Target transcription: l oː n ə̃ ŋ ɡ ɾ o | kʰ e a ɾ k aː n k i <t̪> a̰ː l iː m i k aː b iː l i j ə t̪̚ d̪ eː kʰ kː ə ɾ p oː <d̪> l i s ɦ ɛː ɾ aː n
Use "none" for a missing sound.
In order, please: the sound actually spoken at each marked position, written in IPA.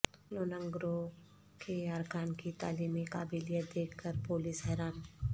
t̪, none

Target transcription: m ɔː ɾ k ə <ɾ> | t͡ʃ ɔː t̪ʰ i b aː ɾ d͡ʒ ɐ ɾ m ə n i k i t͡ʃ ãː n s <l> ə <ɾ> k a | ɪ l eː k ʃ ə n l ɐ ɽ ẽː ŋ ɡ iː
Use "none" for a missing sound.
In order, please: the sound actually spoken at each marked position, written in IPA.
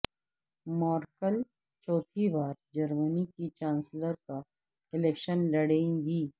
l, l, ɾ

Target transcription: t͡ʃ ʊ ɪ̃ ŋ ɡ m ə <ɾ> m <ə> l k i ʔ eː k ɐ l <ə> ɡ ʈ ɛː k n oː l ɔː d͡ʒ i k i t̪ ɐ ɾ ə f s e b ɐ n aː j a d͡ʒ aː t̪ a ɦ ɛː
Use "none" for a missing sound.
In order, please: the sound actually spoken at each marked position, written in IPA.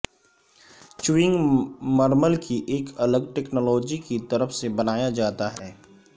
ɾ, ə, ə

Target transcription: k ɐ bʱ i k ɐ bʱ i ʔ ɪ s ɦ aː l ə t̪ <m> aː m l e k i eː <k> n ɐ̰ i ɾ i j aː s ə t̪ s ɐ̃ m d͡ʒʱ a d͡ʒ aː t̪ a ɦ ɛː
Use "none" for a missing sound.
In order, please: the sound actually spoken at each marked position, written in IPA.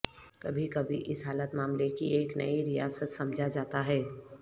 m, k

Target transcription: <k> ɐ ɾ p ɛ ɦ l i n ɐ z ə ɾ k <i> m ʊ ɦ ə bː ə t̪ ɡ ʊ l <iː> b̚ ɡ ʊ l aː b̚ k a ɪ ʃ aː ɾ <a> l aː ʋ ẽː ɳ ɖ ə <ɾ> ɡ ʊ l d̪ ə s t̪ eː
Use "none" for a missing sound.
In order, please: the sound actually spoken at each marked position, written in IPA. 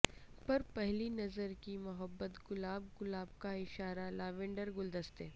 p, i, aː, a, ɾ

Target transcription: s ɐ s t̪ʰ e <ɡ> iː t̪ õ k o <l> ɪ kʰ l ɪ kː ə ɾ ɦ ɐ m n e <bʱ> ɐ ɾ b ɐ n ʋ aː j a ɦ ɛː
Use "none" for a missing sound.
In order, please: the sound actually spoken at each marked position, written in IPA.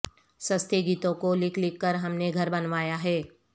ɡ, l, ɡʱ

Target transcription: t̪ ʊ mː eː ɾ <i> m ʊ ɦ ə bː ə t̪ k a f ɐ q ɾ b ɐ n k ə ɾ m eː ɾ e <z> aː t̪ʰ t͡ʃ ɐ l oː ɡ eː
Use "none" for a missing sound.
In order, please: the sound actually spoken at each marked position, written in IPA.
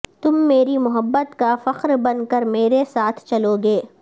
i, s

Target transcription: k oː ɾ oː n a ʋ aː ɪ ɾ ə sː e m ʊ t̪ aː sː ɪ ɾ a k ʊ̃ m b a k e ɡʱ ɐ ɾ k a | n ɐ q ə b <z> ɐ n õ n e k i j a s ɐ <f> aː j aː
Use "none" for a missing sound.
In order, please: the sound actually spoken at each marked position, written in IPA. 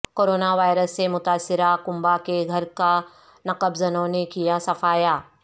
z, f

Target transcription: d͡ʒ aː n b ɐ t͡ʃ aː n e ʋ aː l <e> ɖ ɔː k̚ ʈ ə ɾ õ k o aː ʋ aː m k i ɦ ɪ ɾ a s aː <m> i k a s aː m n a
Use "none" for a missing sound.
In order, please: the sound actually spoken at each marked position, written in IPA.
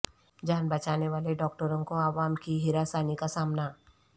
e, n

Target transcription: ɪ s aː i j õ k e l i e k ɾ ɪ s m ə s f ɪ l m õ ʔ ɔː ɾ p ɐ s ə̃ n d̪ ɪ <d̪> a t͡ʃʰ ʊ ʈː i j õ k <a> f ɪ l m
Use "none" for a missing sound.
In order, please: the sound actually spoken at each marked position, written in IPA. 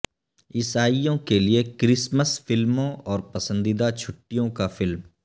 d̪, a

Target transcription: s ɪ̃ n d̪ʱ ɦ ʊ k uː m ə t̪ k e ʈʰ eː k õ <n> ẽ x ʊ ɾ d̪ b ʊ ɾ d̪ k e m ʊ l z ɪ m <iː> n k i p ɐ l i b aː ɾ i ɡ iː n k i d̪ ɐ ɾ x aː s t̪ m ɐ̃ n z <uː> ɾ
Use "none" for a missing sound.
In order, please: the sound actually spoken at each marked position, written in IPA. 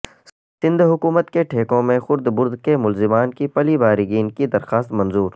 m, aː, uː

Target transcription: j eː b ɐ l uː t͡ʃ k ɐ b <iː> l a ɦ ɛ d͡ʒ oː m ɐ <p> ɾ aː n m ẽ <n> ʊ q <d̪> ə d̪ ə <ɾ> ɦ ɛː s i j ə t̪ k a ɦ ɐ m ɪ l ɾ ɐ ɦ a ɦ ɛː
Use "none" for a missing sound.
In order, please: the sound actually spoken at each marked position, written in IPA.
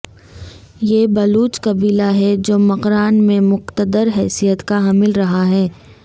iː, q, m, t̪, ɾ

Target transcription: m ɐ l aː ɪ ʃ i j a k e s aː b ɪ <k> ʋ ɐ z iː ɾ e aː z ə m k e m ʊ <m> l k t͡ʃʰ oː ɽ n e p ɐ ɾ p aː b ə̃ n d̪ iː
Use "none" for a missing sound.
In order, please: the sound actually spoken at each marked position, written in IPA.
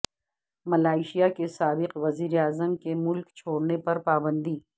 q, none

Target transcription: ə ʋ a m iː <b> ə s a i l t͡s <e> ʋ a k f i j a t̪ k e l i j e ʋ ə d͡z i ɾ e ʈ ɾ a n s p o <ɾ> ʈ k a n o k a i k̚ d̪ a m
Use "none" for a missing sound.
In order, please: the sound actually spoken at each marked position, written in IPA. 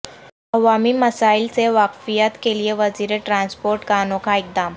m, e, ɾ

